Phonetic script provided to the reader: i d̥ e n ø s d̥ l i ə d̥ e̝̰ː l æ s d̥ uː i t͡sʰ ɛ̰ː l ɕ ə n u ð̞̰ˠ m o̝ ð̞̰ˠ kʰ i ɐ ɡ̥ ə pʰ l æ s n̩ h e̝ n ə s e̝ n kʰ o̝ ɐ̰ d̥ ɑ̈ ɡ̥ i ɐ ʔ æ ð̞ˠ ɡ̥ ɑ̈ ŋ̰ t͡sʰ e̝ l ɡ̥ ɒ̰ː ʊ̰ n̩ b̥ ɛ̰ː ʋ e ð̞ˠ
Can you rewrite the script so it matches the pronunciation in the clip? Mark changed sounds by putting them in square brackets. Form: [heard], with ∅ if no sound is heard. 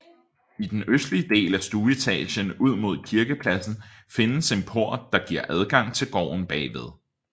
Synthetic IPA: i d̥ e n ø s d̥ l i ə d̥ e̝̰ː l æ s d̥ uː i t͡sʰ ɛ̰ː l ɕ ə n u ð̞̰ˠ m o̝ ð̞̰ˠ kʰ i ɐ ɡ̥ ə pʰ l æ s n̩ [f] e̝ n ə s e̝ n [pʰ] o̝ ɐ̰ d̥ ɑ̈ ɡ̥ i ɐ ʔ æ ð̞ˠ ɡ̥ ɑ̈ ŋ̰ t͡sʰ e̝ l ɡ̥ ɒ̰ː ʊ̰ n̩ b̥ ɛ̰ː ʋ e ð̞ˠ